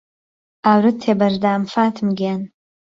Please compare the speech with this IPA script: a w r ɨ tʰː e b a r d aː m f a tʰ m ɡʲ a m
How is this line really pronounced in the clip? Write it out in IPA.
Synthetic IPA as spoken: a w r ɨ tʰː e b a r d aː m f a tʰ m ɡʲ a n